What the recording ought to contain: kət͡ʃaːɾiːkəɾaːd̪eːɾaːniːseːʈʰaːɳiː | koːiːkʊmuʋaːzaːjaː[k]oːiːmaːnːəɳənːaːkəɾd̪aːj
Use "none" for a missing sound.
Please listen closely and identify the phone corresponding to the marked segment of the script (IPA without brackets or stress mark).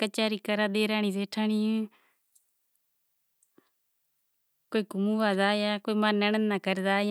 k